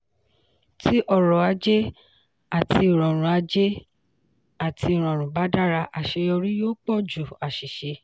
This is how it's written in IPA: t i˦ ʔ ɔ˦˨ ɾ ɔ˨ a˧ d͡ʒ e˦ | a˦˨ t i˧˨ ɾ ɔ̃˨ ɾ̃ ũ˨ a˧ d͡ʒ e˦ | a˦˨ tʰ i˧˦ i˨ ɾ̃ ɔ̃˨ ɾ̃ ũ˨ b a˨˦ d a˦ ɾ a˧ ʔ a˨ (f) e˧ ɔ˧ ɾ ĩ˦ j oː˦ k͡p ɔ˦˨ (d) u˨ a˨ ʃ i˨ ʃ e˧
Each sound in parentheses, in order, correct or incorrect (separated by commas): incorrect, incorrect